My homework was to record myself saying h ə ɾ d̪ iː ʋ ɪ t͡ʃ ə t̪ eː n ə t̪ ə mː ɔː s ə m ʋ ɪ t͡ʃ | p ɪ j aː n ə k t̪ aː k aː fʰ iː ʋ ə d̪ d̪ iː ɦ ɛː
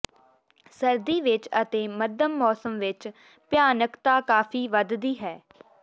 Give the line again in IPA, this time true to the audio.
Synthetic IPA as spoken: s ə ɾ d̪ iː ʋ ɪ t͡ʃ ə t̪ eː m ə d̪ ə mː ɔː s ə m ʋ ɪ t͡ʃ | p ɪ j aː n ə k t̪ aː k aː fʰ iː ʋ ə d̪ d̪ iː ɦ ɛː